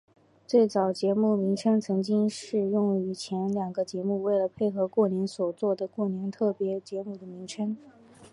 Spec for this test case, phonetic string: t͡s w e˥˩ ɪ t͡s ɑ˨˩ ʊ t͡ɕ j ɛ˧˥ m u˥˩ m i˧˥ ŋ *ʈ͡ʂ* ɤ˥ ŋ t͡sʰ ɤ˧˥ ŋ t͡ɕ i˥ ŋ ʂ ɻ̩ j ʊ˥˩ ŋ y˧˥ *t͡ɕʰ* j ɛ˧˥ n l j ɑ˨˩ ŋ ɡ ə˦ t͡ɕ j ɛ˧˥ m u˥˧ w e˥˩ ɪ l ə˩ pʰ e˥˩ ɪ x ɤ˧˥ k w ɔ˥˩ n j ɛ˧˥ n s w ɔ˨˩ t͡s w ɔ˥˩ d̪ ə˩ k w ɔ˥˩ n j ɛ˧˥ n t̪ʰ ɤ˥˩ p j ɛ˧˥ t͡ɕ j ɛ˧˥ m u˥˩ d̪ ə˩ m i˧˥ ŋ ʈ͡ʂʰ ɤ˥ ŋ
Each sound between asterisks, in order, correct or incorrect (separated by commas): incorrect, correct